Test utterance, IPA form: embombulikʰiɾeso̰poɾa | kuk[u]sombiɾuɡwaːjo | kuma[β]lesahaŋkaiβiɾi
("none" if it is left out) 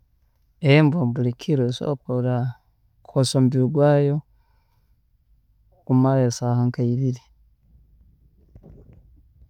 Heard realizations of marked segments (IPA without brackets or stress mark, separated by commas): o, none